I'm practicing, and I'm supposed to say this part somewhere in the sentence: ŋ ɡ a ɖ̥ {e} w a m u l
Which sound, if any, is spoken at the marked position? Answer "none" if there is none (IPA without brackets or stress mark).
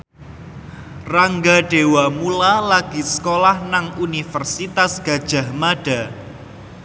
e